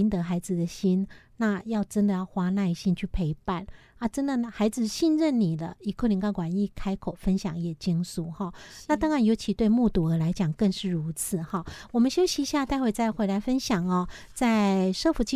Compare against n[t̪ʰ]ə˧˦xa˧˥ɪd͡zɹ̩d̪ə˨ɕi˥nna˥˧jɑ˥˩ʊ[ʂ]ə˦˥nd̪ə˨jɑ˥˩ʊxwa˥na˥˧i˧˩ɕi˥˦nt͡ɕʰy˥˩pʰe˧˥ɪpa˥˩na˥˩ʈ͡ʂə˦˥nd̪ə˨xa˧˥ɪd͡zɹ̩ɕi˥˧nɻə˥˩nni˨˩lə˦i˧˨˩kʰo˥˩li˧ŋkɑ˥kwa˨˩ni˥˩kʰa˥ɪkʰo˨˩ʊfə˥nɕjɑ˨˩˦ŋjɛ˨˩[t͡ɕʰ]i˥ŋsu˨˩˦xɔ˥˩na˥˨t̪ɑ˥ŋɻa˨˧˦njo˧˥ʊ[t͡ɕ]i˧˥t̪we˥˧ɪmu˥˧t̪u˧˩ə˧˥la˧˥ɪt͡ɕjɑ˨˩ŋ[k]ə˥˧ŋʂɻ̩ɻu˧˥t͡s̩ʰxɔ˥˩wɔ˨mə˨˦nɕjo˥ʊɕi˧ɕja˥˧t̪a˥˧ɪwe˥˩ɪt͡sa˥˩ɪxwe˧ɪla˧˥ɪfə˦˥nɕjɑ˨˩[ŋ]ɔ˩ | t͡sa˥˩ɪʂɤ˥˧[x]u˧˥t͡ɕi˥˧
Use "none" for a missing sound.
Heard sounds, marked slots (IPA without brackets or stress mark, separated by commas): t̪, ʈ͡ʂ, t͡ɕ, t͡ɕʰ, k, ŋ, f